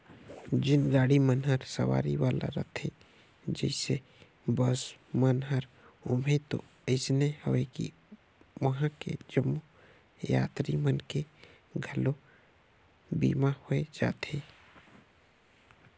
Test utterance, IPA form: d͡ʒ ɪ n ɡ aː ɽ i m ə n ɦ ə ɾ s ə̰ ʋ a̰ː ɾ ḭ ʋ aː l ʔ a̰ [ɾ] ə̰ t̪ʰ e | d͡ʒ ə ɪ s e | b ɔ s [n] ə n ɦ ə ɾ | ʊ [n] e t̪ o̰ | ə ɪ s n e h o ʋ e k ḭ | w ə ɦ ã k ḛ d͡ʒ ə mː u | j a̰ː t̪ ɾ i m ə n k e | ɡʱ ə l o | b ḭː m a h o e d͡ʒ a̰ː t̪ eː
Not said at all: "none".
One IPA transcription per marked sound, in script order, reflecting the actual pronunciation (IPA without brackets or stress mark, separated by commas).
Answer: ɾ, m, m